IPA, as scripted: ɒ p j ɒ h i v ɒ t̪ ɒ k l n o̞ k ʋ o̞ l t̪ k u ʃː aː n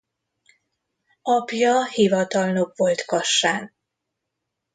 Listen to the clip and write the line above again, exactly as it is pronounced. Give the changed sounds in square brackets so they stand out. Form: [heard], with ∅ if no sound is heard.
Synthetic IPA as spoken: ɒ p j ɒ h i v ɒ t̪ ɒ [∅] l n o̞ k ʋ o̞ l t̪ k [ɒ] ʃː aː n